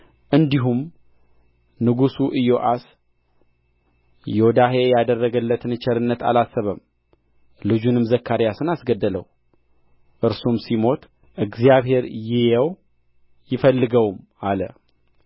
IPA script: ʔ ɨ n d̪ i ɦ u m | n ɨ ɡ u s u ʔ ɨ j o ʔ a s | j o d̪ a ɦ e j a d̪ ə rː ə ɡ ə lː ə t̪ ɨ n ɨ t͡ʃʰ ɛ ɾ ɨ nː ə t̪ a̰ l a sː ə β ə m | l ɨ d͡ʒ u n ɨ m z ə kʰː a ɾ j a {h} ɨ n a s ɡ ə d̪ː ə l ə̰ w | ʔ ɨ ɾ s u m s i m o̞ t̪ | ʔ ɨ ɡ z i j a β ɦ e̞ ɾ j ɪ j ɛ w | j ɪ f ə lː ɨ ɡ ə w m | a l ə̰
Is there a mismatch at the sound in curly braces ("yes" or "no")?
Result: yes